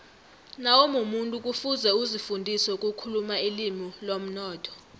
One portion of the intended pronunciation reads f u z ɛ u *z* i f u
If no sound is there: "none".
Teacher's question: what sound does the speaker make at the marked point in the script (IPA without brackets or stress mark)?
z